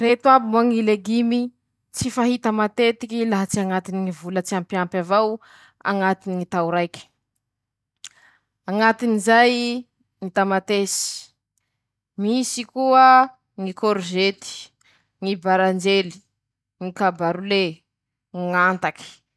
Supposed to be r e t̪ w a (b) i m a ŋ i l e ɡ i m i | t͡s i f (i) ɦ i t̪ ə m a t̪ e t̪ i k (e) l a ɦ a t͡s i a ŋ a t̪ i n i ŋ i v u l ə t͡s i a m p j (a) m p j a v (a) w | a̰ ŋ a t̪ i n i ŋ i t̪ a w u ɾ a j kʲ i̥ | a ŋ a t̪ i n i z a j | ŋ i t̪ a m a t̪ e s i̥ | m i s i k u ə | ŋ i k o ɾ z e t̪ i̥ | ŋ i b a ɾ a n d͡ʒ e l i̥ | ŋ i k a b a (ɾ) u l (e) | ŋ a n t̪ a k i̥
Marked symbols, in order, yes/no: yes, no, no, yes, yes, yes, yes

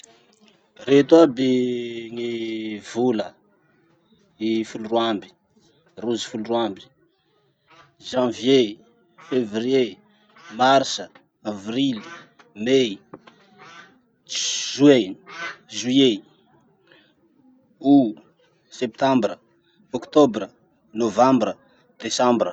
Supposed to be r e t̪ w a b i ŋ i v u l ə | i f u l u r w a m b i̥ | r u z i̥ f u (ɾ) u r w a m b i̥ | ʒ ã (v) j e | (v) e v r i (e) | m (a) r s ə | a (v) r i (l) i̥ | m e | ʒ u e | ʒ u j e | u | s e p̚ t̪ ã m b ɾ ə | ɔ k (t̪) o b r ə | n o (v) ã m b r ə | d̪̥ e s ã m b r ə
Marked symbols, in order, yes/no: no, yes, no, yes, yes, yes, yes, yes, yes

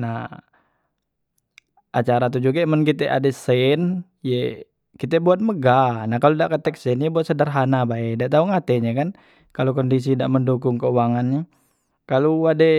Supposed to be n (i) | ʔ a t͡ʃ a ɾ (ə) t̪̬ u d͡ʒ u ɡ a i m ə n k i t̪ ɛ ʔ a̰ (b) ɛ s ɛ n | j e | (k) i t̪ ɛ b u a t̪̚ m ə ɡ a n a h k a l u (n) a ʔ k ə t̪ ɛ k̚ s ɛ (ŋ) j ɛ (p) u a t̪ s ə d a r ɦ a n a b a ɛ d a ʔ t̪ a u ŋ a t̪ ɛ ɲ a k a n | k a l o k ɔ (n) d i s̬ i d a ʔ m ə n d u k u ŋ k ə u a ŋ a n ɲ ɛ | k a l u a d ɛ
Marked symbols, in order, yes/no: no, no, no, yes, no, no, no, yes

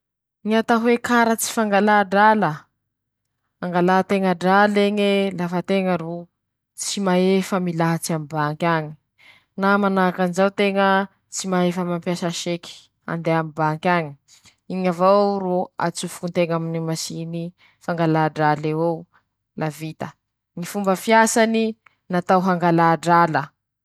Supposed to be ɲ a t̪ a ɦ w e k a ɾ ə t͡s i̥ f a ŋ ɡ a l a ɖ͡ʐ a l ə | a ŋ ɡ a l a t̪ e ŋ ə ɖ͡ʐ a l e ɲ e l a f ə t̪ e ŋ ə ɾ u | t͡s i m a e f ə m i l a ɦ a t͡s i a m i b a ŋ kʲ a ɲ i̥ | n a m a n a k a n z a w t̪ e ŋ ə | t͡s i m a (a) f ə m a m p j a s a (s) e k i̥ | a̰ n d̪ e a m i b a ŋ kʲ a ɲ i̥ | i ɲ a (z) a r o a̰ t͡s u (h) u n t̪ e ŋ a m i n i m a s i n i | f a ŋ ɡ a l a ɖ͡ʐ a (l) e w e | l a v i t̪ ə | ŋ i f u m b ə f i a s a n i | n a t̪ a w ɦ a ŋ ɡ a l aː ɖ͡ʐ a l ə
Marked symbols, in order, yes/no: no, no, no, no, yes

